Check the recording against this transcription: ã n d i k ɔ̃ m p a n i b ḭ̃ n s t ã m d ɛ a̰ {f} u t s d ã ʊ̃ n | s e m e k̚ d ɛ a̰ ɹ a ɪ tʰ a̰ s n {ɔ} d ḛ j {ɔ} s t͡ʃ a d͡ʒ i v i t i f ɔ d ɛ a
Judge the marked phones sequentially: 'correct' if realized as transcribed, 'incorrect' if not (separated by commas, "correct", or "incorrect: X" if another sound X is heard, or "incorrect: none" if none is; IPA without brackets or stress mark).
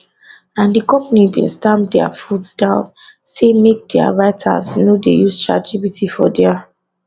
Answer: correct, incorrect: o, incorrect: u